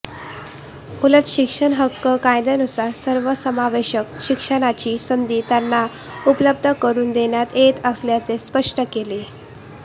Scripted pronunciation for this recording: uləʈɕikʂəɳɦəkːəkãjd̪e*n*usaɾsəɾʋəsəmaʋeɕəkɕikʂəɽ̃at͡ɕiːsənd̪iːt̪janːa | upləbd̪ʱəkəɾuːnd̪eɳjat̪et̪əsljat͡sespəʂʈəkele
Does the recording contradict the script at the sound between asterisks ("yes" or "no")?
no